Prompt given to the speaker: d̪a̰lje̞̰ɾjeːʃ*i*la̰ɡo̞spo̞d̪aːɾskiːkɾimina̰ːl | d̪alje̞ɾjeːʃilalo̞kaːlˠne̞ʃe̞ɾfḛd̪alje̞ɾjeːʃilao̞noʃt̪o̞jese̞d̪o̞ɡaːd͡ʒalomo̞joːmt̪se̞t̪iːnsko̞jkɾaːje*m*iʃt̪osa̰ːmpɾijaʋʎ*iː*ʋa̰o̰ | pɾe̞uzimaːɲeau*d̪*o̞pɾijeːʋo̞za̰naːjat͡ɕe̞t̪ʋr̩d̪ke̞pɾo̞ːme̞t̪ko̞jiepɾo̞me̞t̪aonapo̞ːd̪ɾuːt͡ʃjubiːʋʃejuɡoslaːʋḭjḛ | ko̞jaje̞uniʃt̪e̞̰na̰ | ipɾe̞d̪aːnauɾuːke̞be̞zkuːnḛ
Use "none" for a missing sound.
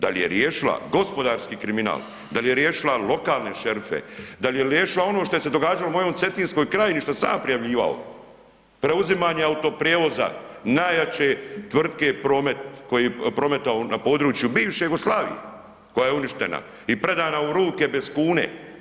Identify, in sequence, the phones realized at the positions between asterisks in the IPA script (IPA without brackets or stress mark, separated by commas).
i, n, iː, t̪